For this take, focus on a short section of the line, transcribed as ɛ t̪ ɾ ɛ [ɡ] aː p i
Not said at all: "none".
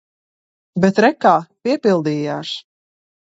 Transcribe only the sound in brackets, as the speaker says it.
k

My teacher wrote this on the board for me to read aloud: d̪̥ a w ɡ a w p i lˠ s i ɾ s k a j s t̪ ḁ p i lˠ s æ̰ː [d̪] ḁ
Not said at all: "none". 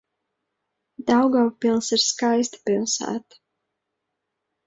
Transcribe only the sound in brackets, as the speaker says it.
t̪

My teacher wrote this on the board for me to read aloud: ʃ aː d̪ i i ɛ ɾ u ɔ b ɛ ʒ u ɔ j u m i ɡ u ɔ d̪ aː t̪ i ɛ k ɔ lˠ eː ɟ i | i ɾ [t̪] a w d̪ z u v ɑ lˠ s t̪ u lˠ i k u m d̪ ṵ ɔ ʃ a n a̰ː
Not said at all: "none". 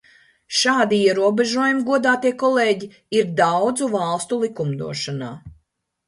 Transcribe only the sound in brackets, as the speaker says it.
d̪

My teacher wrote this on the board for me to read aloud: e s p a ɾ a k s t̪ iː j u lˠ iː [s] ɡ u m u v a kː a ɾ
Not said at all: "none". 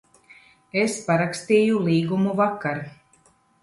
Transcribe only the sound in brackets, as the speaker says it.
none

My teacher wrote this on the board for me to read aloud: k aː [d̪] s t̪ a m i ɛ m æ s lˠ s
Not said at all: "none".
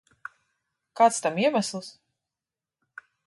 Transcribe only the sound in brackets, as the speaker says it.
t̪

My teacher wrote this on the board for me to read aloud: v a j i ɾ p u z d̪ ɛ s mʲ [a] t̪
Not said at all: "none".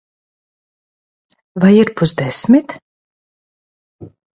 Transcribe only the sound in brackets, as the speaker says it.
i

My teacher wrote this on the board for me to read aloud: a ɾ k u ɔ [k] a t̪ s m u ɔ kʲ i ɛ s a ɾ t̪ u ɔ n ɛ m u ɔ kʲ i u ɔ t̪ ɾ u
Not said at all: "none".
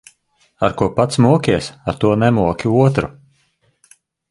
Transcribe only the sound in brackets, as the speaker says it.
p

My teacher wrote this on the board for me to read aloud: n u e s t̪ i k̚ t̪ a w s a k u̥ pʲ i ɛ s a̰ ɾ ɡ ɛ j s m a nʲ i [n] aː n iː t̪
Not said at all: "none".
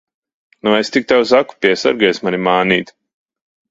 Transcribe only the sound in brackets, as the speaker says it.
m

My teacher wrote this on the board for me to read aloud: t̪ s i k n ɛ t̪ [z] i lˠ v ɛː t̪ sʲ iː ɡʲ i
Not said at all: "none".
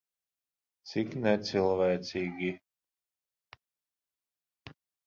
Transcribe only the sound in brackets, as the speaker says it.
s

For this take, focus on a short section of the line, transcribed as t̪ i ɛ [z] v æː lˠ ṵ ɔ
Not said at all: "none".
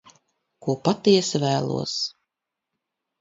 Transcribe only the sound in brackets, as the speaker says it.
s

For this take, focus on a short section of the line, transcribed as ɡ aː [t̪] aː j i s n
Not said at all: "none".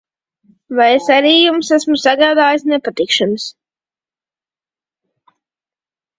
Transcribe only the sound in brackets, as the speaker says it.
d̪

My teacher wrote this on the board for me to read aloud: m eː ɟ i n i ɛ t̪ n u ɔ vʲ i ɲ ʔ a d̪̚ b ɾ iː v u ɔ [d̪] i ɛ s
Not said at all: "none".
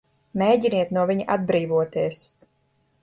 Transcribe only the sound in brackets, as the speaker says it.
t̪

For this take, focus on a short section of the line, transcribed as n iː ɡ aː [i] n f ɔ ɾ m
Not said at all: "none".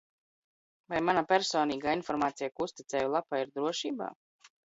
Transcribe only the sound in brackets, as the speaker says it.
i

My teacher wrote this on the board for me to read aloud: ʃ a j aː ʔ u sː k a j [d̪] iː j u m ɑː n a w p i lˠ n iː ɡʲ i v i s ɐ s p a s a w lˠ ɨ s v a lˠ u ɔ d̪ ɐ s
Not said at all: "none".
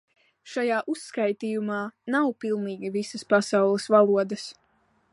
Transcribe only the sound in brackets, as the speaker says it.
t̪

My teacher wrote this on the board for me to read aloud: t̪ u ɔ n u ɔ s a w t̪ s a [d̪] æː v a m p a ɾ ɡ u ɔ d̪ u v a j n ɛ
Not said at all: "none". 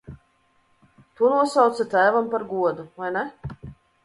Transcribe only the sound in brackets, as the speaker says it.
t̪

